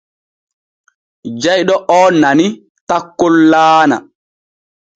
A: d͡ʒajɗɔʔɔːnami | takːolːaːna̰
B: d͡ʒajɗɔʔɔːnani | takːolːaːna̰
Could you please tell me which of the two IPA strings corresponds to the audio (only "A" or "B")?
B